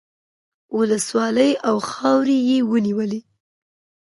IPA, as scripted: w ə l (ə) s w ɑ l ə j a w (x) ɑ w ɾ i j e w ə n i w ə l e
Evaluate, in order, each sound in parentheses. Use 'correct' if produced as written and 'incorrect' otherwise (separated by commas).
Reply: correct, correct